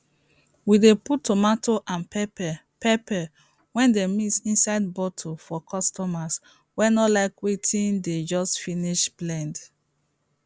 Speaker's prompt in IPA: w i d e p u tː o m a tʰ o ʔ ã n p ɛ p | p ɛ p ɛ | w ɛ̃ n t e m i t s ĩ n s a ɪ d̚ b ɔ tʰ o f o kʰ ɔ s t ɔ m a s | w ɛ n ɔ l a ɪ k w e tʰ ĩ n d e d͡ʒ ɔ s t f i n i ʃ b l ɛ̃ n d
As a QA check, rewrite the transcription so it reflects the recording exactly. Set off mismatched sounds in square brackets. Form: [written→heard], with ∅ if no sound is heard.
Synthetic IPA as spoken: w i d e p u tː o m a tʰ o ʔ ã n p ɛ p | p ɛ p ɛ | w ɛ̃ n [t→d] e m i t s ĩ n s a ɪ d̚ b ɔ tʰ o f [o→ɔ] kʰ ɔ s t ɔ m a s | w ɛ n ɔ l a ɪ k w e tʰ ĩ n d e d͡ʒ ɔ s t f i n i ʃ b l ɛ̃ n d